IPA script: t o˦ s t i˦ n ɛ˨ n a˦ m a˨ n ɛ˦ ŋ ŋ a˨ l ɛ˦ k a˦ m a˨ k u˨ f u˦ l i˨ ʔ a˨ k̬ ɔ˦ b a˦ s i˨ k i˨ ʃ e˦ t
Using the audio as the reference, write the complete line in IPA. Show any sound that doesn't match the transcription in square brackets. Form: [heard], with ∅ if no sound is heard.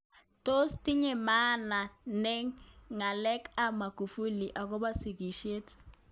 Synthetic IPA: t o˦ s t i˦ [ɲ] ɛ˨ [m] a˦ [n] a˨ n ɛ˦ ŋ ŋ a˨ l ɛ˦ k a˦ m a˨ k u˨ f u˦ l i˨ ʔ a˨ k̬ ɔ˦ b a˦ s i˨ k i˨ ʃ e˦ t